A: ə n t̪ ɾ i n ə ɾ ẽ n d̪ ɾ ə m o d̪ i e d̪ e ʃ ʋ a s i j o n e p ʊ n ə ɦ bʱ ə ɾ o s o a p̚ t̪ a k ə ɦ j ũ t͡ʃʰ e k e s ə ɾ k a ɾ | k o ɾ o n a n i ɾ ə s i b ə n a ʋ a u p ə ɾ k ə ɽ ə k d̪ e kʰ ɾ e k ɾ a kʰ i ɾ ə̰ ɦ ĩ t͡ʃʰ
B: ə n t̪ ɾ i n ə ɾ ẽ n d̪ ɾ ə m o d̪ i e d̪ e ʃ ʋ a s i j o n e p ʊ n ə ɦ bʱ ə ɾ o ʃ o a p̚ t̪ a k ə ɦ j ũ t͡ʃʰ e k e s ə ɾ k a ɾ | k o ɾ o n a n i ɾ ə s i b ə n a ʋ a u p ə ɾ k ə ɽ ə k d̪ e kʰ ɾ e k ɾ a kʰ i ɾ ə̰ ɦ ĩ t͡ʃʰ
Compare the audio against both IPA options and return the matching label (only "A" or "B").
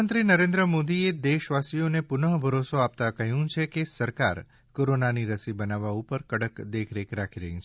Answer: A